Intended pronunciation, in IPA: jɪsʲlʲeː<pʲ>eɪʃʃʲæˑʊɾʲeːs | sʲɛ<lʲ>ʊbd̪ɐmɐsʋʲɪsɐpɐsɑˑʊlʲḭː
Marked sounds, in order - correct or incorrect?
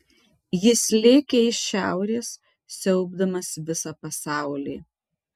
incorrect: kʲ, incorrect: none

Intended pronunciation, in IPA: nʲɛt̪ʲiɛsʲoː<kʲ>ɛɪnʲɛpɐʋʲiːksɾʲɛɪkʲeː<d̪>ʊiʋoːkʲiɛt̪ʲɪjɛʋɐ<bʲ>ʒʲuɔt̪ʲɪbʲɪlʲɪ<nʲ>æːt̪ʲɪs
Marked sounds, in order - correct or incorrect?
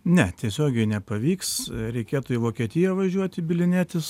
incorrect: ɡʲ, incorrect: t̪, incorrect: none, correct

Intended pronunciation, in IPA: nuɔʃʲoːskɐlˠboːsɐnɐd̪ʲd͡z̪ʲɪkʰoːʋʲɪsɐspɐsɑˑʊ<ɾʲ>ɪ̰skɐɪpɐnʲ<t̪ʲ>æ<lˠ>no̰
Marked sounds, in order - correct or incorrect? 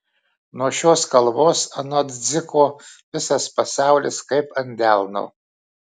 incorrect: lʲ, incorrect: d̪ʲ, correct

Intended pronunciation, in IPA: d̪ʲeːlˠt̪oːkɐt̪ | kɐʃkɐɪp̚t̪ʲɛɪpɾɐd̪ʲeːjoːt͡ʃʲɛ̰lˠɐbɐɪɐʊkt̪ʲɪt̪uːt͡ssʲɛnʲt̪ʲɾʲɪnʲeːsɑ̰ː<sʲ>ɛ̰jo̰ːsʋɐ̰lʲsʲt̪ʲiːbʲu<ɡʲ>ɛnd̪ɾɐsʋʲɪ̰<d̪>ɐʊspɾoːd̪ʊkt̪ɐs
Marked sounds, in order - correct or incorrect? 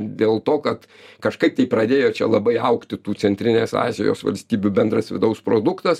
incorrect: zʲ, incorrect: bʲ, correct

